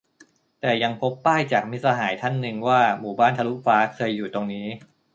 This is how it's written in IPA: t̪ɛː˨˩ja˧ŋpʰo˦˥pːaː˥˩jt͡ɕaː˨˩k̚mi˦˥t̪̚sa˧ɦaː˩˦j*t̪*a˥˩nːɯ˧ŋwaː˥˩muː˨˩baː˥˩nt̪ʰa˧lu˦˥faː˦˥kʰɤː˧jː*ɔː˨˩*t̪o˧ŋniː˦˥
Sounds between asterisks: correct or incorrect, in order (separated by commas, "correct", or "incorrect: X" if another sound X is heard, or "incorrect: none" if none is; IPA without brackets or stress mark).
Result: incorrect: t̪ʰ, incorrect: uː˨˩